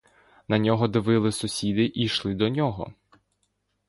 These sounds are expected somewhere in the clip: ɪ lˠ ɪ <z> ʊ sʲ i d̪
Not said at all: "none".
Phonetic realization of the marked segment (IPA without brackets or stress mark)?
s